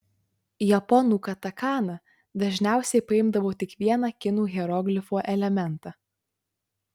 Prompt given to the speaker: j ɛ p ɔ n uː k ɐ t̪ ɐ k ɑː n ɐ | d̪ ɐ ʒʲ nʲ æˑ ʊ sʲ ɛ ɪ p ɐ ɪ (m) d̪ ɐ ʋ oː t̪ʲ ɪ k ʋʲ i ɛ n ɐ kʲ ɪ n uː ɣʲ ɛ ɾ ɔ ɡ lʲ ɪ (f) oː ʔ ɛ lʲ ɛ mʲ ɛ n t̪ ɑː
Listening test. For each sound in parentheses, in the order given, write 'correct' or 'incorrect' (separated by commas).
correct, correct